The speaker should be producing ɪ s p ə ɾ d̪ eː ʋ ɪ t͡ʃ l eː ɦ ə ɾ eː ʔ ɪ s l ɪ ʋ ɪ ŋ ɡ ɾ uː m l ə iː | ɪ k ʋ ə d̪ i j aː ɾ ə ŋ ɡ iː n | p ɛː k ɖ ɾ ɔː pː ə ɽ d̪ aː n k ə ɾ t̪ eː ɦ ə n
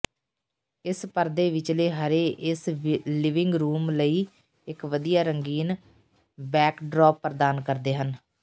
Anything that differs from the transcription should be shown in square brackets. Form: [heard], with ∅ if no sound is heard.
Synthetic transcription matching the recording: ɪ s p ə ɾ d̪ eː ʋ ɪ t͡ʃ l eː ɦ ə ɾ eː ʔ ɪ s l ɪ ʋ ɪ ŋ ɡ ɾ uː m l ə iː | ɪ k ʋ ə d̪ i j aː ɾ ə ŋ ɡ iː n | [b] ɛː k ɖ ɾ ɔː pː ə [ɾ] d̪ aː n k ə ɾ [d̪] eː ɦ ə n